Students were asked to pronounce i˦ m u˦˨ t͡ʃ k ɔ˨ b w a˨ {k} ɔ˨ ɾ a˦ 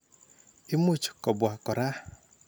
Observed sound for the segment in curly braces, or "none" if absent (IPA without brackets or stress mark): k